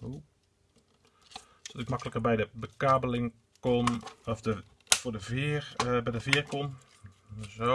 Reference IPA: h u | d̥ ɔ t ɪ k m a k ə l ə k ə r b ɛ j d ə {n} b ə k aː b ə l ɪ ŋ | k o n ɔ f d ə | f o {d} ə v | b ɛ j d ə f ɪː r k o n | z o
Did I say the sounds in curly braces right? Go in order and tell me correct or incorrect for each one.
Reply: incorrect: none, correct

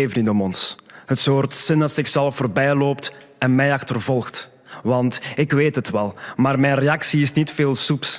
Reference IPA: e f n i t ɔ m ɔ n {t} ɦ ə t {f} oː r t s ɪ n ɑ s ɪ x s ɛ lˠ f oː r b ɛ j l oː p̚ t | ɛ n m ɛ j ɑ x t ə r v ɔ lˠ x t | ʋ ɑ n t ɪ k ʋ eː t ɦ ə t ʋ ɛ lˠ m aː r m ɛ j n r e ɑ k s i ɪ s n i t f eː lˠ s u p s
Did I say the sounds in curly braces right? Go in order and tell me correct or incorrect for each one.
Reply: incorrect: s, incorrect: s

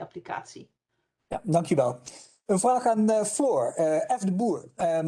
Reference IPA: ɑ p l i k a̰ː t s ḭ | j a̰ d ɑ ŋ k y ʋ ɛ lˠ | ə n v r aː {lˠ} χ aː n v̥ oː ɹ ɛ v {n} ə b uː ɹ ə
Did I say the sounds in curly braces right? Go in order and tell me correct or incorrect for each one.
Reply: incorrect: none, incorrect: d

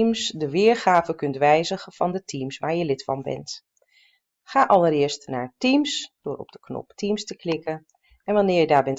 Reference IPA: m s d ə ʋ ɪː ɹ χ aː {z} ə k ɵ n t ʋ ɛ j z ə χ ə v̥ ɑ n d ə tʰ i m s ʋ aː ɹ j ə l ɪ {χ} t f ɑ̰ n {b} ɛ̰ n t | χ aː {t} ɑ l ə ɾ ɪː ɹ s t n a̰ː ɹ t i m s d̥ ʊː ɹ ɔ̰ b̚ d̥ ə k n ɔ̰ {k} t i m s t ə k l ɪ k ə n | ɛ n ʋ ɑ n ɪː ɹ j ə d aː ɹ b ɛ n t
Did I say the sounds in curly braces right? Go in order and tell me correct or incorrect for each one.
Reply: incorrect: v, incorrect: none, correct, incorrect: ʔ, incorrect: p

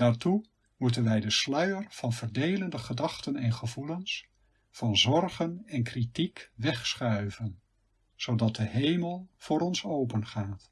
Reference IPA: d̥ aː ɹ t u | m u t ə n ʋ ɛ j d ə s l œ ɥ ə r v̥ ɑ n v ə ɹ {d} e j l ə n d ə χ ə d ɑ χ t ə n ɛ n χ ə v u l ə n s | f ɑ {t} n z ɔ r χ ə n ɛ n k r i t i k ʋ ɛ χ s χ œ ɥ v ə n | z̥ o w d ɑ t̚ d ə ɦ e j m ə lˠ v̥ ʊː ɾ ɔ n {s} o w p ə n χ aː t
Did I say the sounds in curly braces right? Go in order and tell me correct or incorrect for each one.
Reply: correct, incorrect: none, correct

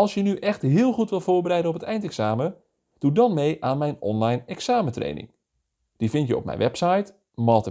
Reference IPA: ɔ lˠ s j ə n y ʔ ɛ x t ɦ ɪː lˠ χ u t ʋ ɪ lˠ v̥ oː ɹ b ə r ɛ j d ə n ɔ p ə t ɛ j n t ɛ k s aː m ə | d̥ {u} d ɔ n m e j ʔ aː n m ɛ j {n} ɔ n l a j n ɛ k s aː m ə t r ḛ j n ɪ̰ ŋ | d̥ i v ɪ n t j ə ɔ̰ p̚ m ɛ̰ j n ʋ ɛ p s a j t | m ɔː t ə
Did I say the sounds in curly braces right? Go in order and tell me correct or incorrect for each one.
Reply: correct, correct

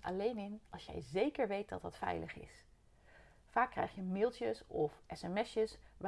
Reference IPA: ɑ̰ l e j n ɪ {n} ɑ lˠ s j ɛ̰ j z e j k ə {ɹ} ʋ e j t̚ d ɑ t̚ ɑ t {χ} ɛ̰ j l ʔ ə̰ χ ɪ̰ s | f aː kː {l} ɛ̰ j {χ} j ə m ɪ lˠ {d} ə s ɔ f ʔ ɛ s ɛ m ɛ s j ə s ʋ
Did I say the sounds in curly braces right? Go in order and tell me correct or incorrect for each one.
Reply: correct, correct, incorrect: f, incorrect: r, correct, incorrect: t

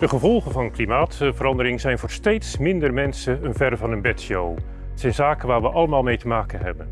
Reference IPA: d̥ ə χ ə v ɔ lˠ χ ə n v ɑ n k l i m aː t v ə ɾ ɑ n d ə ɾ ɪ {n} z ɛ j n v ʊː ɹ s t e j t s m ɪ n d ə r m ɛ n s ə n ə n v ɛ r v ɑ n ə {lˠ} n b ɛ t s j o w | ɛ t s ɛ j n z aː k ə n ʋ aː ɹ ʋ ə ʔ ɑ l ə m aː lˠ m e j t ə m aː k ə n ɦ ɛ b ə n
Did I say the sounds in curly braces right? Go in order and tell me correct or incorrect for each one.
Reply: incorrect: ŋ, incorrect: none

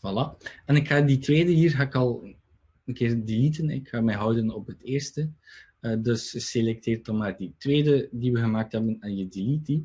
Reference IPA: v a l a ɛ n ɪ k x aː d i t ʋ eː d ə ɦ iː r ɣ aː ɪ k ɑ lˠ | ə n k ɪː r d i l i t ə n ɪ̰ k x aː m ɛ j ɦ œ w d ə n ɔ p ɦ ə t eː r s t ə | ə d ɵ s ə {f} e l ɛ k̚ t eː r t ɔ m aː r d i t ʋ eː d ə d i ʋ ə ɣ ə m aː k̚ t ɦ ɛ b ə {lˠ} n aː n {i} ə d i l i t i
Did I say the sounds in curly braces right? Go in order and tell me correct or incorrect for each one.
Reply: incorrect: s, incorrect: none, incorrect: j

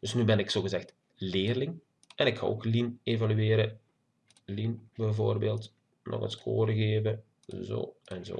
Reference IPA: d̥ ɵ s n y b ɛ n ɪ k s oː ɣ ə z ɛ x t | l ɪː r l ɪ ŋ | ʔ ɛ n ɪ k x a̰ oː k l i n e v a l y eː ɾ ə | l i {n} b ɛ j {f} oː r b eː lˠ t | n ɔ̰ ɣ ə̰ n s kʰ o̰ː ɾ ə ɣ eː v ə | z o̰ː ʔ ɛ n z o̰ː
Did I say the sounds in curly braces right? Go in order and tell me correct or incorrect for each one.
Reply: correct, incorrect: v

